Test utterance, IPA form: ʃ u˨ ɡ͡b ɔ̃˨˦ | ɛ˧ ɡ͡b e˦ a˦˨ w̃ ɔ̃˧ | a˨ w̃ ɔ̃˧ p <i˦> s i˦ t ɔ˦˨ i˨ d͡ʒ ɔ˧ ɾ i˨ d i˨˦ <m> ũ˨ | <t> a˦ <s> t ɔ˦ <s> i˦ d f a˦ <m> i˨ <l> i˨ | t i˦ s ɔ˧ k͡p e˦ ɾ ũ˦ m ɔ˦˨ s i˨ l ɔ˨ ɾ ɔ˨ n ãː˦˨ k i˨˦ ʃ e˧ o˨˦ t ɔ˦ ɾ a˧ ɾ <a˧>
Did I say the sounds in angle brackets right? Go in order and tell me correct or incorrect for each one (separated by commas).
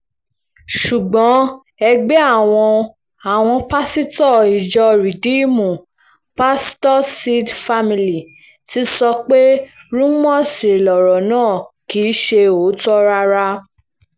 incorrect, correct, incorrect, correct, correct, correct, correct, correct